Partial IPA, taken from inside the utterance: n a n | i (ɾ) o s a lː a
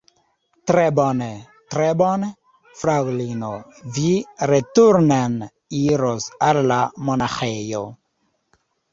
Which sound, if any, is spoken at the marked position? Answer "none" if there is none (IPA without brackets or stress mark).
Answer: ɾ